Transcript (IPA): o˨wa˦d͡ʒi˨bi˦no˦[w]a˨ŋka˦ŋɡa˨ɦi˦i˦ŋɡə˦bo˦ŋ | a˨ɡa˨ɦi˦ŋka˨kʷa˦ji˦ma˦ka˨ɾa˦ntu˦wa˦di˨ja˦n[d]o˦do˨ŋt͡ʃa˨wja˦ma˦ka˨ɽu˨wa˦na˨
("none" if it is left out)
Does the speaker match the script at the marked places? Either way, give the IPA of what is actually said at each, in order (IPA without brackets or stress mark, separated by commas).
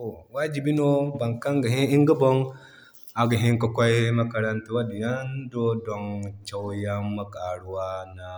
b, d